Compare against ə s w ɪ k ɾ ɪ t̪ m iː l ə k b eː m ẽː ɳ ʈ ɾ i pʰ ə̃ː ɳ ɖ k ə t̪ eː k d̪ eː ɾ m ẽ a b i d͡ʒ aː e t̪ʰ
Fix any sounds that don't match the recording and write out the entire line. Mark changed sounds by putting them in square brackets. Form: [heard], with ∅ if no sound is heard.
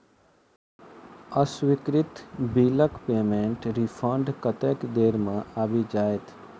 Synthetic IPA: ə s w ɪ k ɾ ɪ t̪ [b] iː l ə k [p] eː m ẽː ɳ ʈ ɾ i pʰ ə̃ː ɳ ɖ k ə t̪ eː k d̪ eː ɾ m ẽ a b i d͡ʒ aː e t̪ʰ